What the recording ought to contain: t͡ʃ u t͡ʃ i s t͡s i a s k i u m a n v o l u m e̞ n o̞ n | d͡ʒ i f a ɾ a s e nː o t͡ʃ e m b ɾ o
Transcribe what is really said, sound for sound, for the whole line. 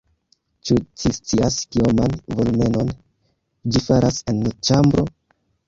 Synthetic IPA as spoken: t͡ʃ u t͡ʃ i s t͡s i a s k i o m a n v o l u m e̞ n o̞ n | d͡ʒ i f a ɾ a s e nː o t͡ʃ a m b ɾ o